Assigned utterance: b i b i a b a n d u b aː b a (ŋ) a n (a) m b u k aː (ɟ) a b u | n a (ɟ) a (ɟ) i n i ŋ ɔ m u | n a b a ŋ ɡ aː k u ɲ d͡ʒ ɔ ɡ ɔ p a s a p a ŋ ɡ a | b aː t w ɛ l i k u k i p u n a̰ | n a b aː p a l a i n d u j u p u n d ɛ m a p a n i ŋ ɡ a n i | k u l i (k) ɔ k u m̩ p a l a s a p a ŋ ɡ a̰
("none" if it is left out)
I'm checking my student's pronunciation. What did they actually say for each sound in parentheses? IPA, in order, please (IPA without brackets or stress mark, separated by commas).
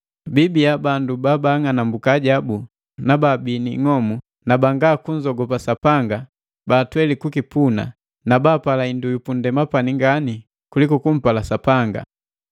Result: ŋ, a, ɟ, b, b, k